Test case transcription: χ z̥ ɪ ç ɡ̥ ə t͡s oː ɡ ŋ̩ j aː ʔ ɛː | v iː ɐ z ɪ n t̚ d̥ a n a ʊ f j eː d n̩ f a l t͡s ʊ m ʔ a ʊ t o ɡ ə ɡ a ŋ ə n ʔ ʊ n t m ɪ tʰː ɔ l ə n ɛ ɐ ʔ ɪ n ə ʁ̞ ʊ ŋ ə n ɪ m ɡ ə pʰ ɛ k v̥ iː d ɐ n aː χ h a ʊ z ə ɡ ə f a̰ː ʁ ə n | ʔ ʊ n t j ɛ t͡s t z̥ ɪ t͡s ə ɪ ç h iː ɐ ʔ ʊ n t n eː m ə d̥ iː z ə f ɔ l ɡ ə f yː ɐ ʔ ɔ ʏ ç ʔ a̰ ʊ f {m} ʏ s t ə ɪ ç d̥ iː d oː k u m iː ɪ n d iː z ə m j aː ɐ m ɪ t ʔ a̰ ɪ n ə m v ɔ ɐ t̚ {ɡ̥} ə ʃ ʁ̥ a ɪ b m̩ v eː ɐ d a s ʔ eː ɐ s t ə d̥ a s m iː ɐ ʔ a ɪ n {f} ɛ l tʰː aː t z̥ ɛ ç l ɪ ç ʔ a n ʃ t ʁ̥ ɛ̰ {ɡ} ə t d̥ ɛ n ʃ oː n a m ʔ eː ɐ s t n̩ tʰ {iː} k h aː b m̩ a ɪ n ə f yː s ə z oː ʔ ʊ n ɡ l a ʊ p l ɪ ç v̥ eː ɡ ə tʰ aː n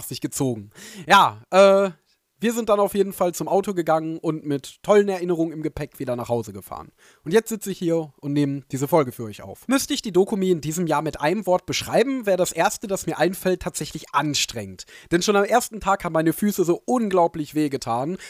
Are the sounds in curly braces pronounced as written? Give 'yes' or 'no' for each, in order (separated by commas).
yes, no, yes, no, no